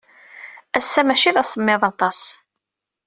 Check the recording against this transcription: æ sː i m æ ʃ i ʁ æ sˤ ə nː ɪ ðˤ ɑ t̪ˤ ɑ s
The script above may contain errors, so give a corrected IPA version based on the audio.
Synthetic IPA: æ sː æ m æ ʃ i ð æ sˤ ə mː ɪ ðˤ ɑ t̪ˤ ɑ s